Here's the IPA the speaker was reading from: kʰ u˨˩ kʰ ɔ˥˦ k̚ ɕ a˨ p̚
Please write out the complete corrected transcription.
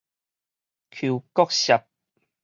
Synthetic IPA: kʰ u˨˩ k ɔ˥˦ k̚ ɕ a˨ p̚